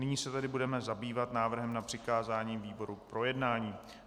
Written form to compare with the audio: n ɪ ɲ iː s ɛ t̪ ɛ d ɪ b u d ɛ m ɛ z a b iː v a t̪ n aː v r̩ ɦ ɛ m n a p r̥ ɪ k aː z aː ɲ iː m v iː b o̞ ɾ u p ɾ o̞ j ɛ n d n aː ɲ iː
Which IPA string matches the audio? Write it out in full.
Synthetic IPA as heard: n ɪ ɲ iː s ɛ t̪ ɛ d ɪ b u d ɛ m ɛ z a b iː v a t̪ n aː v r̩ ɦ ɛ m n a p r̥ ɪ k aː z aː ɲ iː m v iː b o̞ ɾ u p ɾ o̞ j ɛ d n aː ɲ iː